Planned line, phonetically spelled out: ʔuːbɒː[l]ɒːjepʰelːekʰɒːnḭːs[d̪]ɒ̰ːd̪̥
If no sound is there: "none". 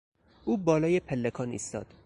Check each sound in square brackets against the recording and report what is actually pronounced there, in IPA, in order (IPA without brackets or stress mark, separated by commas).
l, t̪